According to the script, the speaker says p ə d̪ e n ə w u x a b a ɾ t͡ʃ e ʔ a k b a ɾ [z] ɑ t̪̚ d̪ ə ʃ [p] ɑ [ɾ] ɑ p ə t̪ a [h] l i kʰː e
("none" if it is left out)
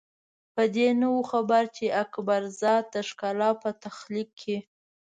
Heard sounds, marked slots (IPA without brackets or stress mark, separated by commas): z, k, l, x